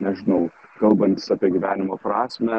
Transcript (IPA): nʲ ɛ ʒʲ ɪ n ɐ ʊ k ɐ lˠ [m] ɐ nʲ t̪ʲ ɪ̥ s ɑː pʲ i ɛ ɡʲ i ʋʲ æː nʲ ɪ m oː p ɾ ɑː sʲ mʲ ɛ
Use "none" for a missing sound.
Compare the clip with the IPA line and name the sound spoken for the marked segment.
b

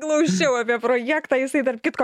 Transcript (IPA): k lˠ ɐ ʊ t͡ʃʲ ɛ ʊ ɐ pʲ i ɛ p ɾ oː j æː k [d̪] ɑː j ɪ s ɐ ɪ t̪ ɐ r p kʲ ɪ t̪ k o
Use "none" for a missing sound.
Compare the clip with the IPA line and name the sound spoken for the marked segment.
t̪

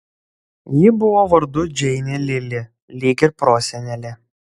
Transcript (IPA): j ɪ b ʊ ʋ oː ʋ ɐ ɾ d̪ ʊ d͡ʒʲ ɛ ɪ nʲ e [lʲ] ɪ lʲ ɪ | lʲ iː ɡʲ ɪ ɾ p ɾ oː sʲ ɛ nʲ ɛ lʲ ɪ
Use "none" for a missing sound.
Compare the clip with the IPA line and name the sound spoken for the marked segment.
lʲ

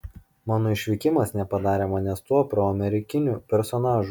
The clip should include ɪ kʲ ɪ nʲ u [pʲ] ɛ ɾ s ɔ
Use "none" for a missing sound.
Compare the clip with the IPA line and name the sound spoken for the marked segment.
pʲ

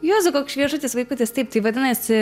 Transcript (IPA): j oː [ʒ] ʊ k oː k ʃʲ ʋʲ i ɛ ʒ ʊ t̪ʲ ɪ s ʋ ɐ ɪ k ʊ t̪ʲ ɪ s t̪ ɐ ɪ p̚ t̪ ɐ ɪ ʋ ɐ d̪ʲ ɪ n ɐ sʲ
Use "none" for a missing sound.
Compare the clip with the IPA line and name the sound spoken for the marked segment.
z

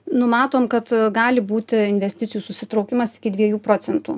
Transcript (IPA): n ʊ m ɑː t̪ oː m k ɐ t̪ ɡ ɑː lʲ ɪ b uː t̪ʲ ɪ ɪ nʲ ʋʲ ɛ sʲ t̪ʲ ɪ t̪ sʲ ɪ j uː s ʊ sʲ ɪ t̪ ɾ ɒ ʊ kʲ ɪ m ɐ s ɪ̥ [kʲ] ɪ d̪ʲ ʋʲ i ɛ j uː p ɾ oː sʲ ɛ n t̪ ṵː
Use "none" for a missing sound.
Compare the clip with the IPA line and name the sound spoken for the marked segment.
kʲ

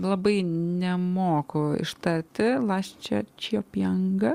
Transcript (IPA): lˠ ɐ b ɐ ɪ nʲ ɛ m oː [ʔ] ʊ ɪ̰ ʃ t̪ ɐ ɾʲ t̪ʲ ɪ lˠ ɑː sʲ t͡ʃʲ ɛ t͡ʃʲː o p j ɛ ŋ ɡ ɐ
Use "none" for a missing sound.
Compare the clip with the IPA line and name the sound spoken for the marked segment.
k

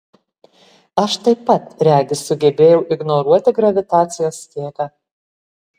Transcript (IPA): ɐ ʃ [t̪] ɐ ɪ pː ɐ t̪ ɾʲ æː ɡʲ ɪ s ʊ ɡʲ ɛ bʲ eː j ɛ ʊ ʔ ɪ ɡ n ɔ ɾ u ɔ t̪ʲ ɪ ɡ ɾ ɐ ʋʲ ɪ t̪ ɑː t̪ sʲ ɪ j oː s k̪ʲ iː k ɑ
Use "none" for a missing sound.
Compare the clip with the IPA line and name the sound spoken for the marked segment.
t̪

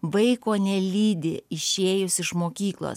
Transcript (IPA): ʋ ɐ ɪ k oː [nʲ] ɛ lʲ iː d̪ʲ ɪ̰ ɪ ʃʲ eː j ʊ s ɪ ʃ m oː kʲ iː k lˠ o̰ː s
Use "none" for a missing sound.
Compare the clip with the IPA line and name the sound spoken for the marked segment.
nʲ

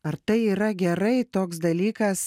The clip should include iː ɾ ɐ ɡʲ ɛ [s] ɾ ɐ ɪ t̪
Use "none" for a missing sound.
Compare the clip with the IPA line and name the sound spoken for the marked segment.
none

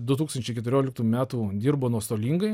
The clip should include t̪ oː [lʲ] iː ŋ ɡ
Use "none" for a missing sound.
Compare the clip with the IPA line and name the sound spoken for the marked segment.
lʲ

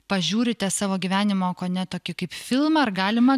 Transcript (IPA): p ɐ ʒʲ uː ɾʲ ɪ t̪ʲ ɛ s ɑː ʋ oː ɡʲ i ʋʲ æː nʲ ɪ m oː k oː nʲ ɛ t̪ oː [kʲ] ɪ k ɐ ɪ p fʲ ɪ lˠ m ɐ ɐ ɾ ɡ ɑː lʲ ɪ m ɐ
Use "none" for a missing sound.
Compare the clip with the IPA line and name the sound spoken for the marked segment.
kʲ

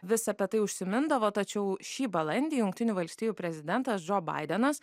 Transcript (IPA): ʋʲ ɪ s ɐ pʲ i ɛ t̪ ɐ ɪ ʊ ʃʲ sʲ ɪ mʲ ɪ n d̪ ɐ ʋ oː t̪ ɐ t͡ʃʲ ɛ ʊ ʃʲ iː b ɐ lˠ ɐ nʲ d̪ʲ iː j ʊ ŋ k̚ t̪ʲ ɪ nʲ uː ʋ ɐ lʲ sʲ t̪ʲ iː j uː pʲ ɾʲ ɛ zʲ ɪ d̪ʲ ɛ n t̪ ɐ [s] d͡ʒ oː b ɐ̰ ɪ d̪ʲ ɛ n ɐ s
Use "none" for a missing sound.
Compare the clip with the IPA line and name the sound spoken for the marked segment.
s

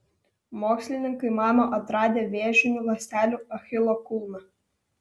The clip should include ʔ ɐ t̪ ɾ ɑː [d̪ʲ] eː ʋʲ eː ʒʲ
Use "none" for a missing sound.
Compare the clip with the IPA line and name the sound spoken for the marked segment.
d̪ʲ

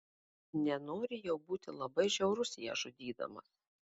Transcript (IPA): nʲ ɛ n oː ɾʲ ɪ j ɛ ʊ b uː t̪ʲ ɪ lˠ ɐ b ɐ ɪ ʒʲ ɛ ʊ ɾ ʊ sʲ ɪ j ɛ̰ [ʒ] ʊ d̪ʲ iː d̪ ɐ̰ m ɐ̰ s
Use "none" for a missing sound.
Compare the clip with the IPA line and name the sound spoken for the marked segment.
ʒ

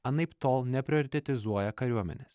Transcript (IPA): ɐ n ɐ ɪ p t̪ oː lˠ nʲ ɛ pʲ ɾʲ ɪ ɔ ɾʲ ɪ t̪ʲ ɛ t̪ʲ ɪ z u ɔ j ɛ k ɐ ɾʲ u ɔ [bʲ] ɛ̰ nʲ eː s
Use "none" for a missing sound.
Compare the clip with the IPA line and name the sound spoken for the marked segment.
mʲ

